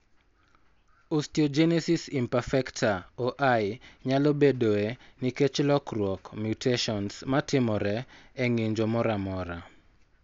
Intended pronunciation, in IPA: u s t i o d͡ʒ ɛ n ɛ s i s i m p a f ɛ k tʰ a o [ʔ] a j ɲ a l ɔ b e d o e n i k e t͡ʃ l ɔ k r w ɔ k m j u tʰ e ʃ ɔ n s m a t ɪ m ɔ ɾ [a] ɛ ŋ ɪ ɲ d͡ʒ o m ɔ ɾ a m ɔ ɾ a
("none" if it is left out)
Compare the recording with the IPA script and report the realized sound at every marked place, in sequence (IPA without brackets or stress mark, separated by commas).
ʔ, ɛ